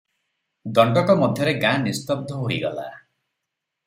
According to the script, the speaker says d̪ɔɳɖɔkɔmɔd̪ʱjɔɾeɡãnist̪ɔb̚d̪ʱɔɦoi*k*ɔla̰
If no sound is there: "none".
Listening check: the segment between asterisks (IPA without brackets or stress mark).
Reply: ɡ